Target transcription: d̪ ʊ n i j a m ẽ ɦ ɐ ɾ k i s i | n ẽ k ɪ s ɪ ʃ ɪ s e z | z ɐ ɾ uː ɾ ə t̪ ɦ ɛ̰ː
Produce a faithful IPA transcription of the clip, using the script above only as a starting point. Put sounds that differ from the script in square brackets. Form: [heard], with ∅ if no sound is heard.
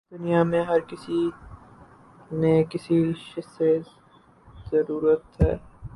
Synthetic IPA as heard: d̪ ʊ n i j a m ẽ ɦ ɐ ɾ k [ɪ] s i | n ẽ k ɪ s [i] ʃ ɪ s e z | z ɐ ɾ uː ɾ ə t̪ ɦ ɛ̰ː